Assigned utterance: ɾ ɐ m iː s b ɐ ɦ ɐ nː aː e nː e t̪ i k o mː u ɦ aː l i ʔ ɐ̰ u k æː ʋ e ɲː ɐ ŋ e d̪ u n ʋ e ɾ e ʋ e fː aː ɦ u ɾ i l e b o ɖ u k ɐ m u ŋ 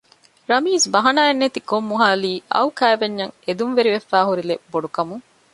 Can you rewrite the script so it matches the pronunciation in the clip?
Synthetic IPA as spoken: ɾ ɐ m iː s b ɐ ɦ ɐ n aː e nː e t̪ i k o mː u ɦ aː l iː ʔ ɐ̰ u k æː ʋ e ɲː ɐ ŋ e d̪ u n ʋ e ɾ i ʋ e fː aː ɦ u ɾ i l e b o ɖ u k ɐ m u ŋ